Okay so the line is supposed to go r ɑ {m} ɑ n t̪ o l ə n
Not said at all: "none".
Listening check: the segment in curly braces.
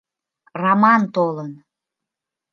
m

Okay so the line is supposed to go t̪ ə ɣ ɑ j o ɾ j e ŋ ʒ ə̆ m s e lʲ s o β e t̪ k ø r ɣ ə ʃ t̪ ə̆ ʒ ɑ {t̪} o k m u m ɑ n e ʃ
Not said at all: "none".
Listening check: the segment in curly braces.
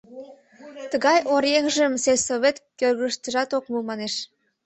t̪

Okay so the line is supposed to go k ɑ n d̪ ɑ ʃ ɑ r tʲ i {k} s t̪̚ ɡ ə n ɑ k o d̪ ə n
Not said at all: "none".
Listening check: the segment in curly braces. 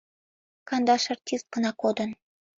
none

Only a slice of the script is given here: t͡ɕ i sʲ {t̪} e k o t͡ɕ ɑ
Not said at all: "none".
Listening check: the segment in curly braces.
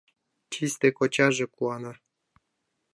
t̪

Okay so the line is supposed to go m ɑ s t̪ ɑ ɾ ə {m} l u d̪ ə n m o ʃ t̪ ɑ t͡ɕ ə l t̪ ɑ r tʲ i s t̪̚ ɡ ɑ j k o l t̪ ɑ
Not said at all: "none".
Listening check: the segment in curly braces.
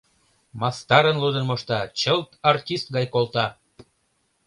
n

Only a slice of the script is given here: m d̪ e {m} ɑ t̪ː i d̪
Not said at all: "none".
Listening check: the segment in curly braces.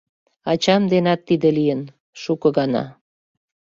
n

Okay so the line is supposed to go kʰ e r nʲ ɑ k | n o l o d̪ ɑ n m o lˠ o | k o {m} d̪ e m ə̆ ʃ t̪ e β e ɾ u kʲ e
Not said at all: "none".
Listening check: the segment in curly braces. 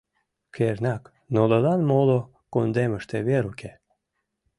n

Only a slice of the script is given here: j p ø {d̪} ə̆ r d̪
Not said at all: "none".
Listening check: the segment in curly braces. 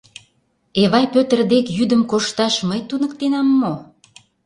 t̪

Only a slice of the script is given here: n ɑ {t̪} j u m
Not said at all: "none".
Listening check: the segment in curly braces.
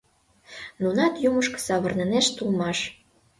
t̪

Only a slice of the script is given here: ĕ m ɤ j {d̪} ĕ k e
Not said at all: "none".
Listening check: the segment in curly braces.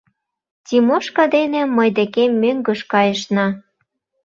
d̪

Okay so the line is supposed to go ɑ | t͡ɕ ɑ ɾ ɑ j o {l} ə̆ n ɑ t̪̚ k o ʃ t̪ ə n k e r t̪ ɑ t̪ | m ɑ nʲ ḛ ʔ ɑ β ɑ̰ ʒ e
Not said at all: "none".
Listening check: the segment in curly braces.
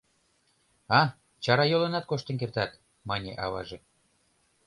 l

